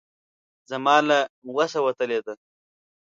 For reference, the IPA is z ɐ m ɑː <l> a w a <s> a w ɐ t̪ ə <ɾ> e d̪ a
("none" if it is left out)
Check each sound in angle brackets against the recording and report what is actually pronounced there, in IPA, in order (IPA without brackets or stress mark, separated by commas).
l, s, l